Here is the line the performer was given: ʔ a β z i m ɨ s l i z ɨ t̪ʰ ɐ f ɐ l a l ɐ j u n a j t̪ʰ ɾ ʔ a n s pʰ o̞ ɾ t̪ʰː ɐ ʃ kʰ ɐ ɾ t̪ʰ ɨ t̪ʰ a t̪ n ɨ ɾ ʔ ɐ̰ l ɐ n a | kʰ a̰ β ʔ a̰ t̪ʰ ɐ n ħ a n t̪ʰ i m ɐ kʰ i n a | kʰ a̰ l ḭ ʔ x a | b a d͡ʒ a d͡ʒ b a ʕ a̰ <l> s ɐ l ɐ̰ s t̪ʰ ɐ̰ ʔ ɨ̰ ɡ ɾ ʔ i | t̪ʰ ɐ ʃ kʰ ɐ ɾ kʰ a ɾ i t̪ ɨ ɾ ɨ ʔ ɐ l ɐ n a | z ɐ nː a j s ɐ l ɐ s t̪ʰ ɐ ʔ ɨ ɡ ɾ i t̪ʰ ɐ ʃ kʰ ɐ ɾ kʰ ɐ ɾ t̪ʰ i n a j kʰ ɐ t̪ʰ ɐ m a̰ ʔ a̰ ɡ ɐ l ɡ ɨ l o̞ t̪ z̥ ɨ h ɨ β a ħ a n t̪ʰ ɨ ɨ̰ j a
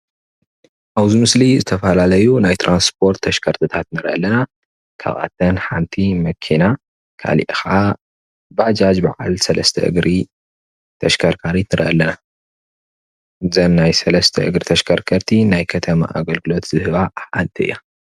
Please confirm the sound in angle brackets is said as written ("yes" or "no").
yes